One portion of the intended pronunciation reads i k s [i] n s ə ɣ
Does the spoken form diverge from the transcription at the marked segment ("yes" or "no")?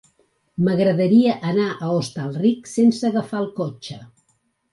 yes